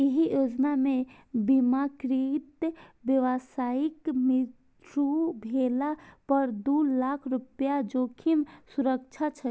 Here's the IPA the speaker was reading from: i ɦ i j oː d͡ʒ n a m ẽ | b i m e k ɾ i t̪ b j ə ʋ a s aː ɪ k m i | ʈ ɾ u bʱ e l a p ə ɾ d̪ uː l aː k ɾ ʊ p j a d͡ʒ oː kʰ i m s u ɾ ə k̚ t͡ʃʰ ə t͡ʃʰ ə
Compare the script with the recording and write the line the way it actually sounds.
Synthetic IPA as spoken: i ɦ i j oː d͡ʒ n a m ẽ | b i m a k ɾ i t̪ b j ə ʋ a s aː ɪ k m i | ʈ ɾ u bʱ e l a p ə ɾ d̪ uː l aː kʰ ɾ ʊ p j a d͡ʒ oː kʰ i m s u ɾ ə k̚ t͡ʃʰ a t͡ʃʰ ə